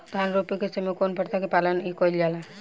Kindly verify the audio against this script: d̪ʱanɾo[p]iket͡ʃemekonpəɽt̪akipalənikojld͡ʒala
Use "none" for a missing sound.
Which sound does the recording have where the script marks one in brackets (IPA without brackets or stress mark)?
p